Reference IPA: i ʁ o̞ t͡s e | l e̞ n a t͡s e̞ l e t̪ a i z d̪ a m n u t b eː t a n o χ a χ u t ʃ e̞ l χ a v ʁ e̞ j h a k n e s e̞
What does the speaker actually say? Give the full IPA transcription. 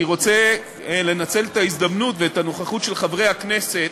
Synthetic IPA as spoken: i ʁ o̞ t͡s e | l e̞ n a t͡s e̞ l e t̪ a i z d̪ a m n u t v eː t a n o χ a χ u t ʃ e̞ l χ a v ʁ e̞ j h a k n e s e̞